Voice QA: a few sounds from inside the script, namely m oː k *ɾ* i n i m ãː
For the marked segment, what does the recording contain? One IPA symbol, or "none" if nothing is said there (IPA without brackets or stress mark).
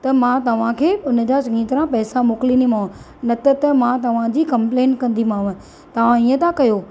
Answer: l